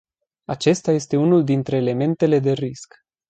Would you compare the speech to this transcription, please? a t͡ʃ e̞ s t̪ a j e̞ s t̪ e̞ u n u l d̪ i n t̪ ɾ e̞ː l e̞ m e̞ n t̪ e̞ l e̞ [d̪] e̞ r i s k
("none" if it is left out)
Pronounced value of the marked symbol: d̪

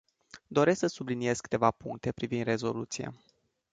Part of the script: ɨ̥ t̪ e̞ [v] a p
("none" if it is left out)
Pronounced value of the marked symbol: v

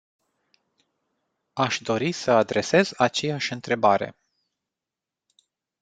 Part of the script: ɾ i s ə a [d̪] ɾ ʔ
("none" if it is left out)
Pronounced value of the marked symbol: d̪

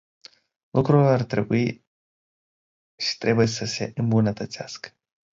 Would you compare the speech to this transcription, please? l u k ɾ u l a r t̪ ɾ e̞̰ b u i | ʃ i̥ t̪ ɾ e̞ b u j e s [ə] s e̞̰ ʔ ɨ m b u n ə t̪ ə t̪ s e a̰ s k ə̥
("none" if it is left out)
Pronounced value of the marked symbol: ə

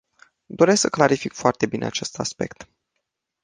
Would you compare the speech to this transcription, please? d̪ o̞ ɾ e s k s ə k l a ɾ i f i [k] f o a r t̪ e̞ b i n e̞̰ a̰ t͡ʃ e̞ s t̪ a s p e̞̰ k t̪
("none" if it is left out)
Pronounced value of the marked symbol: k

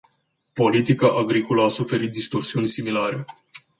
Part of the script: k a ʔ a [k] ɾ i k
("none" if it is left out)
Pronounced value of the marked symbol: ɡ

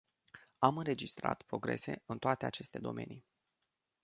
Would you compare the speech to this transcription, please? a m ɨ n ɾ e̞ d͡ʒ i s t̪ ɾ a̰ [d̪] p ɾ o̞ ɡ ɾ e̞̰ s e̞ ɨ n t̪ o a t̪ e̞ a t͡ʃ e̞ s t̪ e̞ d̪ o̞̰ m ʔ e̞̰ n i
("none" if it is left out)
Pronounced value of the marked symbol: t̪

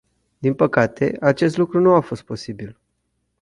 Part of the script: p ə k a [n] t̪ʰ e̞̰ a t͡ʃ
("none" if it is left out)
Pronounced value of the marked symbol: none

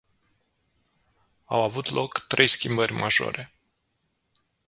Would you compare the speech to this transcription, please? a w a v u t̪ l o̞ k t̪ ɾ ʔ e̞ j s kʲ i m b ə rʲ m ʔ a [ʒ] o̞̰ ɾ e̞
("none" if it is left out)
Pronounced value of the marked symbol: ʒ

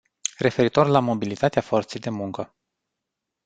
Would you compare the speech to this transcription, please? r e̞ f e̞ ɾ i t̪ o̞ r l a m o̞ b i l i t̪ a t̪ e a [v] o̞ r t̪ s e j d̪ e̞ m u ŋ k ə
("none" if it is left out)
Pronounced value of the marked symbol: f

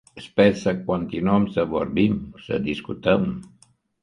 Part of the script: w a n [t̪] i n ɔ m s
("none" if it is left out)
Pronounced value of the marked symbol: t̪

